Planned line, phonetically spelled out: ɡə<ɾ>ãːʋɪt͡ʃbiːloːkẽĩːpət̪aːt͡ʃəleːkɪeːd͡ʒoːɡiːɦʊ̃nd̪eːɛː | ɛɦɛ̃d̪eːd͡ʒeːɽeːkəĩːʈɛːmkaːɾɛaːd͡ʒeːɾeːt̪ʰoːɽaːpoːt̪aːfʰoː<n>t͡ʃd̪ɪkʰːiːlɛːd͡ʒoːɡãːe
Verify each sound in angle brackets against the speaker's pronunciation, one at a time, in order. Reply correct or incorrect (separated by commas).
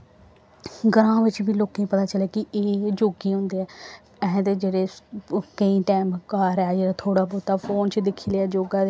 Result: correct, correct